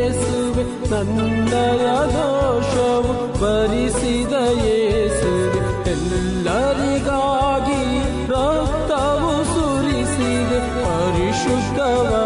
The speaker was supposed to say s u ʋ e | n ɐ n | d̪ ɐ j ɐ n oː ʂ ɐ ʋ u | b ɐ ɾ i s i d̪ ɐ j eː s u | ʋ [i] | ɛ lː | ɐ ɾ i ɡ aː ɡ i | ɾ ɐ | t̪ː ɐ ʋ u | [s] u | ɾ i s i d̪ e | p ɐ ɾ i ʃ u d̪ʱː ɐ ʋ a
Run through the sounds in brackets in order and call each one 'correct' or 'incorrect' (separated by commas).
incorrect, correct